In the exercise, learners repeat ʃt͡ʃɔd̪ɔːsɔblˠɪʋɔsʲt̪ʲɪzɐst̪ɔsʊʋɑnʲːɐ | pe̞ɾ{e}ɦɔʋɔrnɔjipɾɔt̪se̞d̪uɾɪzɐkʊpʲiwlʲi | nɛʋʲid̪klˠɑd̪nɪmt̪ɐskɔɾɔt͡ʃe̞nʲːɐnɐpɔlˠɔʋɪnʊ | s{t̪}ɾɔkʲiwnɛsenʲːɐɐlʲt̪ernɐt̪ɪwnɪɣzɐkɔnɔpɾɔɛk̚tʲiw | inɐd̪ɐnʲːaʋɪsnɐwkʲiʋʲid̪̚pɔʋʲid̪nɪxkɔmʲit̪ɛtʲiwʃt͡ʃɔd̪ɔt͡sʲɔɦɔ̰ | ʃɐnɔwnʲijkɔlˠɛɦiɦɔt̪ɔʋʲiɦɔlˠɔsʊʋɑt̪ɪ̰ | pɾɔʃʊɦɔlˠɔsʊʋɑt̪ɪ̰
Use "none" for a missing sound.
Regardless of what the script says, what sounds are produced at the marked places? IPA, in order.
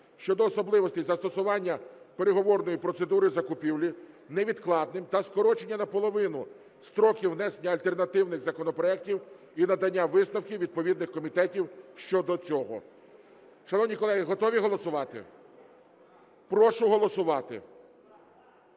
e, t̪

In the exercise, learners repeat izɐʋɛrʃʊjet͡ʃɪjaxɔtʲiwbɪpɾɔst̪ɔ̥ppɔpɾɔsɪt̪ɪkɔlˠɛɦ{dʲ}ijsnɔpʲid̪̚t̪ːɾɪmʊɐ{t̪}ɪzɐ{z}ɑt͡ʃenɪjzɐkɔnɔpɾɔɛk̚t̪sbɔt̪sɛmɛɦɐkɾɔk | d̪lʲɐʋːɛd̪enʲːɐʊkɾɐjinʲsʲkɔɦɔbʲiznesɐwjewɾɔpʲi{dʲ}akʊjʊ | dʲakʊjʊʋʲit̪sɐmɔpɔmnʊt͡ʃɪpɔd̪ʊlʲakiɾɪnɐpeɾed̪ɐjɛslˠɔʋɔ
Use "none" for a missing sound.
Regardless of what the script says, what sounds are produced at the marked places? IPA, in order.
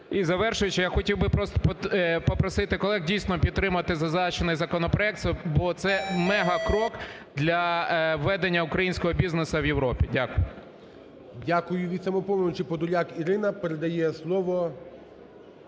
dʲ, t̪, z, dʲ

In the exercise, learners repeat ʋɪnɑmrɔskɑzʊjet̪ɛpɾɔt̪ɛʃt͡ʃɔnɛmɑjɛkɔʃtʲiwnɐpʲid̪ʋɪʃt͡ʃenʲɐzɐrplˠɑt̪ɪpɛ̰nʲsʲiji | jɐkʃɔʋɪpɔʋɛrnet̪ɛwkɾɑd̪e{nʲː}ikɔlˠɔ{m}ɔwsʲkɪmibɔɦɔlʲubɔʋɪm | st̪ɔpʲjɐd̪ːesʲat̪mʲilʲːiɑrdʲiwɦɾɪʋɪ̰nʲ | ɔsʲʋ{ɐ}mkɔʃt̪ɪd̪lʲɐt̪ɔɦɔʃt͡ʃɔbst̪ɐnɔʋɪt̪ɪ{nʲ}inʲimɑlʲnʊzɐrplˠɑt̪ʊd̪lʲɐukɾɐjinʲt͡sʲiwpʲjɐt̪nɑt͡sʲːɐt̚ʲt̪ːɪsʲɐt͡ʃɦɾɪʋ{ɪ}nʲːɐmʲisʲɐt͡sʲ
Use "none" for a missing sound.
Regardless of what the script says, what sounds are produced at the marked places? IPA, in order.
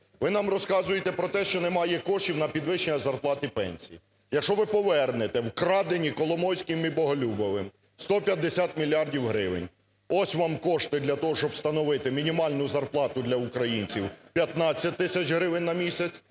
nʲ, m, ɑ, mʲ, ɪ

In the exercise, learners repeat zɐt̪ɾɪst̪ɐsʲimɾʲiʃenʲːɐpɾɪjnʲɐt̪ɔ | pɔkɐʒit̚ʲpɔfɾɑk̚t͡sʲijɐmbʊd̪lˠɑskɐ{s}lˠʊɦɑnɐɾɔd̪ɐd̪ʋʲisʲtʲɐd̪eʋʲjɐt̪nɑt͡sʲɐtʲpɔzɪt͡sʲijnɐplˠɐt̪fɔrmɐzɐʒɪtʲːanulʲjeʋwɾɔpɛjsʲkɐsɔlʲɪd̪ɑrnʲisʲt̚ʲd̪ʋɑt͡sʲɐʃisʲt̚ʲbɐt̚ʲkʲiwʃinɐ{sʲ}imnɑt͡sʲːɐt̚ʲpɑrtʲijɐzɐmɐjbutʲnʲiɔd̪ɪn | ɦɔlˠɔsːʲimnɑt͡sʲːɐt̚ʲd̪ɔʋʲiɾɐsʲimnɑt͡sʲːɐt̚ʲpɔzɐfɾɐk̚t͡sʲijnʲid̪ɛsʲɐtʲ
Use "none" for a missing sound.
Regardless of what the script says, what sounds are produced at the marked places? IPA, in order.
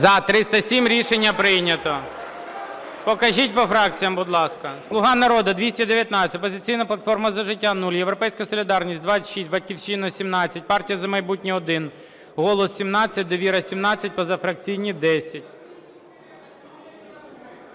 s, sʲ

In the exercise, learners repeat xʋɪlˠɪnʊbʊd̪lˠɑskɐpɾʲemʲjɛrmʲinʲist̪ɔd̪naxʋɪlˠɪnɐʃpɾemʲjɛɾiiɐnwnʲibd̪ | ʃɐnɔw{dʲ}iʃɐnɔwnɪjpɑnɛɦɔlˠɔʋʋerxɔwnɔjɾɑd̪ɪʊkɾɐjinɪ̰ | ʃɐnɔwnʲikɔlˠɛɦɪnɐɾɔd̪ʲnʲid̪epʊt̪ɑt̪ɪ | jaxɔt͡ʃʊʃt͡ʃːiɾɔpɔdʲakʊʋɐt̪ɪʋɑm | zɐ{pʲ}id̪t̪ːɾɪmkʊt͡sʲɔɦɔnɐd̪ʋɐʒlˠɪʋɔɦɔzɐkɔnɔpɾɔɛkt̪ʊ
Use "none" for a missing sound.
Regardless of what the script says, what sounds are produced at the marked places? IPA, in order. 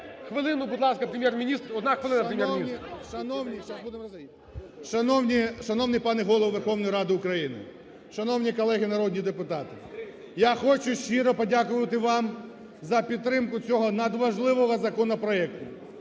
nʲ, pʲ

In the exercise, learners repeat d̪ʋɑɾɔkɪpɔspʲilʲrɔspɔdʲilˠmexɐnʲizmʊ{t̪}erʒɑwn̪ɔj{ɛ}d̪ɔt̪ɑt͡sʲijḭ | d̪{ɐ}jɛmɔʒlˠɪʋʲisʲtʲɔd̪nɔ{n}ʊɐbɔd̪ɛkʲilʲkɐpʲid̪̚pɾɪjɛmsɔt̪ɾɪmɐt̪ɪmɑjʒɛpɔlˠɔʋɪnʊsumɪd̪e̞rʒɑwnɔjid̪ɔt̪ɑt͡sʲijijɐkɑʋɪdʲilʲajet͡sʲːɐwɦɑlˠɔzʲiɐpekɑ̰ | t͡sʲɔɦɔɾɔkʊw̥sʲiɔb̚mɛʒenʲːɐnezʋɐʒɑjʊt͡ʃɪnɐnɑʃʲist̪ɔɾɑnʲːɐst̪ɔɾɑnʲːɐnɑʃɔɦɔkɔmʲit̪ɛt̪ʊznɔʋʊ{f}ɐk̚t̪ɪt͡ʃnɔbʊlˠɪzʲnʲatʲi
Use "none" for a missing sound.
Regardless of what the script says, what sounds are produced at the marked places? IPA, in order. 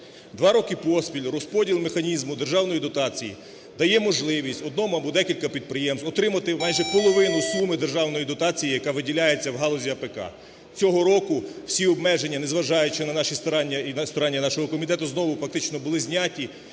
d̪, i, ɐ, m, f

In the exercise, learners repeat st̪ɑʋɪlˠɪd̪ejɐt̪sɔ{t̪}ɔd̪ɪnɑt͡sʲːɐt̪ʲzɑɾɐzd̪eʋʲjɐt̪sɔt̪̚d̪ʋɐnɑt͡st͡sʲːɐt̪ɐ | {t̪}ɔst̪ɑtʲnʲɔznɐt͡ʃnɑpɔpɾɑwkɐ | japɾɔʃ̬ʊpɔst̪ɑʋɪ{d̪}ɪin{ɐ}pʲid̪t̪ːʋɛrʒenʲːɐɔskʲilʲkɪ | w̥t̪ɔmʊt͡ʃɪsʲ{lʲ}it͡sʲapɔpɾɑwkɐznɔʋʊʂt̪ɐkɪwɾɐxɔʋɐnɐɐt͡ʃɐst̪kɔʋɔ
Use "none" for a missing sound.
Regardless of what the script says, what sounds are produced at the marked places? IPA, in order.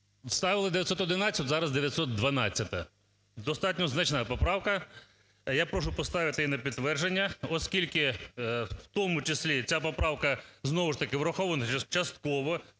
t̪, d̪, t̪, ɐ, lʲ

